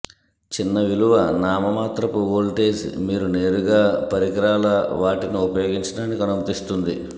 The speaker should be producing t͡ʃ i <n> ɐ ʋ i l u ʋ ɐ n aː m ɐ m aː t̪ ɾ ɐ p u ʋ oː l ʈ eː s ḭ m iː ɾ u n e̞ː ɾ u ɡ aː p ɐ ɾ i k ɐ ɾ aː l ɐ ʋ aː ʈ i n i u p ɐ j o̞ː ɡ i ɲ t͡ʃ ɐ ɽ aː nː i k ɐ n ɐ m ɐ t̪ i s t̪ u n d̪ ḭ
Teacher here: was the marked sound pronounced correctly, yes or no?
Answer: no